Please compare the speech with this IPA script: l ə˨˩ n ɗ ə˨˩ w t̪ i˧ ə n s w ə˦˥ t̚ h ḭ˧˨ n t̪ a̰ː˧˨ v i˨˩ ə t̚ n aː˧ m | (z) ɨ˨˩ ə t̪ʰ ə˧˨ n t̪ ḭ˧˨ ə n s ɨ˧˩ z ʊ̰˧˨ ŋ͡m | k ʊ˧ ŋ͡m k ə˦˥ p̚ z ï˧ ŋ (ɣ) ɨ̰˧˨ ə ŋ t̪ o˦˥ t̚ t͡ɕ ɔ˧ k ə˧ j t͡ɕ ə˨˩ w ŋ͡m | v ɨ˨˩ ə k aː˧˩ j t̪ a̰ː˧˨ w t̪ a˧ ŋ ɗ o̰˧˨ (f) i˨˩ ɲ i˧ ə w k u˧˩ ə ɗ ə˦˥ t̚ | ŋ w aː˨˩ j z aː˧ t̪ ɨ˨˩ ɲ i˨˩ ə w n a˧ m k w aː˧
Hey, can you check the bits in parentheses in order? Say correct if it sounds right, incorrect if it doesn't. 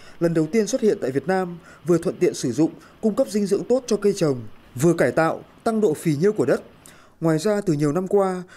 incorrect: v, incorrect: z, correct

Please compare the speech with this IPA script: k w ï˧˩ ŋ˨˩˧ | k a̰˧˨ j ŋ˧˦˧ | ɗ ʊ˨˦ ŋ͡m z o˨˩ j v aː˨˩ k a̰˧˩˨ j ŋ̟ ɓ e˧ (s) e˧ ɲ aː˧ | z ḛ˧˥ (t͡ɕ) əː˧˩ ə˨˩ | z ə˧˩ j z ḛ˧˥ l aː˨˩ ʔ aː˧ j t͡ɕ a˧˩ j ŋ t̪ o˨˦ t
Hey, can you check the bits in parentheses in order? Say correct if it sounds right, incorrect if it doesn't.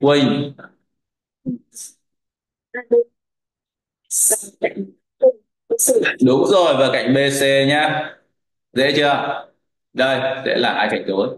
correct, correct

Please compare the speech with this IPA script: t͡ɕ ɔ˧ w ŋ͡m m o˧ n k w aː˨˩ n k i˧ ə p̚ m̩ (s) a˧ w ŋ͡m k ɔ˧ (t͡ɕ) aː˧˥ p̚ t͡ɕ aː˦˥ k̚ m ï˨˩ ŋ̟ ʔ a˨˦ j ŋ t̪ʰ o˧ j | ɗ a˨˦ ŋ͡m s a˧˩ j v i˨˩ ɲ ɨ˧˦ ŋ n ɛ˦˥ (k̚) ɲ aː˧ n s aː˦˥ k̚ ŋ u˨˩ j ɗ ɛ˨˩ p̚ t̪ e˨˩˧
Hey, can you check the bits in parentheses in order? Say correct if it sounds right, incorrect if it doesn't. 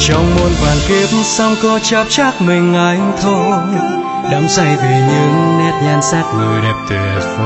correct, correct, incorrect: t̚

